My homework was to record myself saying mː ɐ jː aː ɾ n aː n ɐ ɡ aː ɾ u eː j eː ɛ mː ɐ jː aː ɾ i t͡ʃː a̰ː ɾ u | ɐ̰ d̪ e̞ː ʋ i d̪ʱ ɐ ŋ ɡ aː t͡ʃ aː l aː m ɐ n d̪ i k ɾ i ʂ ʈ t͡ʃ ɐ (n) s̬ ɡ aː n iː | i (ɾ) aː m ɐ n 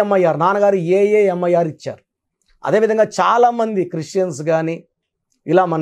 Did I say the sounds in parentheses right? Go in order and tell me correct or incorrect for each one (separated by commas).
correct, incorrect